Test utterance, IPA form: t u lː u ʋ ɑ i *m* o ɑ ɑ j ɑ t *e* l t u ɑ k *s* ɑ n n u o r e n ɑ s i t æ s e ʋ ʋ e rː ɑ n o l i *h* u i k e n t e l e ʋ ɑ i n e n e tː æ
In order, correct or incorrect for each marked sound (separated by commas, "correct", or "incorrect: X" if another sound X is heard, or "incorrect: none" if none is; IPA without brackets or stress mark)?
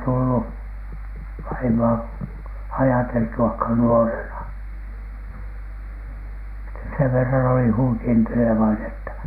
correct, correct, incorrect: h, correct